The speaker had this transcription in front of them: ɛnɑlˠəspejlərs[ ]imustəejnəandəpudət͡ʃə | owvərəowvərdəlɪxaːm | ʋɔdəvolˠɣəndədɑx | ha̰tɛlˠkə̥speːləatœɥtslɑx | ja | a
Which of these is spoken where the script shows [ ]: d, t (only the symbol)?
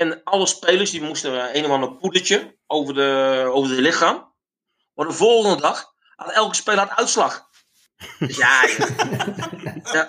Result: d